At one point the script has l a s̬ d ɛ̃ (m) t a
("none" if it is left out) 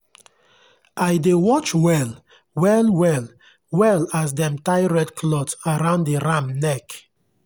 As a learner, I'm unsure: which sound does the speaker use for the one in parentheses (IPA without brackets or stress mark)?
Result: m